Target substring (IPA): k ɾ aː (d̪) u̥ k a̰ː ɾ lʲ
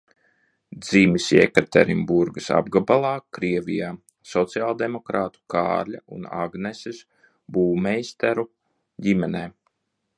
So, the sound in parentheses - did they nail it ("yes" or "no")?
no